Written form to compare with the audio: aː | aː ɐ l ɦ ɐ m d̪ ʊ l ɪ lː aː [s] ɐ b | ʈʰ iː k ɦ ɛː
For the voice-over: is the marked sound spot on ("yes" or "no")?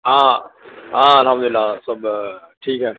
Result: yes